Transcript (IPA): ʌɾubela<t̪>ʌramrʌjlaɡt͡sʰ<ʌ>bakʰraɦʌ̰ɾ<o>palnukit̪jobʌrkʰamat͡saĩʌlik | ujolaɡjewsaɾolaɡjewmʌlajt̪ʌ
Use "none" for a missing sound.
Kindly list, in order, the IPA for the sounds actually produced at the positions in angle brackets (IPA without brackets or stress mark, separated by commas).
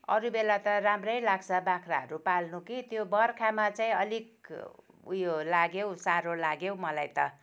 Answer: t̪, ʌ, u